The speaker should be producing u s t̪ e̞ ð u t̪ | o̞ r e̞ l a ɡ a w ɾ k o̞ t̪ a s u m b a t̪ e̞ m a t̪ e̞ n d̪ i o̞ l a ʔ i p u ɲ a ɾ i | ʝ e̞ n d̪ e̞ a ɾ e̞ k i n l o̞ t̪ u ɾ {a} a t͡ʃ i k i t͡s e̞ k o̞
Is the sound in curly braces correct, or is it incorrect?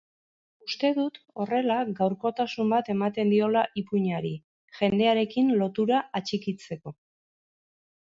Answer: correct